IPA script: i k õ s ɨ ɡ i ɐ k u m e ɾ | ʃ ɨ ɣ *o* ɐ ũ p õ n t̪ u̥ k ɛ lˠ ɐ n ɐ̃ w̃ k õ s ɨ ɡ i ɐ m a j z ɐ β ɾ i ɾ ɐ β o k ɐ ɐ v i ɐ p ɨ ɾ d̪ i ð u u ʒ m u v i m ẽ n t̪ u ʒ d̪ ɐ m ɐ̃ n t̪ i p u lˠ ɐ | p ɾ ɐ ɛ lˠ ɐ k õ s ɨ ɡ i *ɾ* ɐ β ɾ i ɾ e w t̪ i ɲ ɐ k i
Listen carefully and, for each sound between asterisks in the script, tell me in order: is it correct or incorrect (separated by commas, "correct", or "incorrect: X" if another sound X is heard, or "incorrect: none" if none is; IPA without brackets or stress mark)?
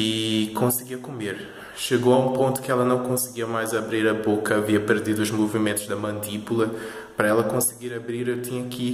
correct, correct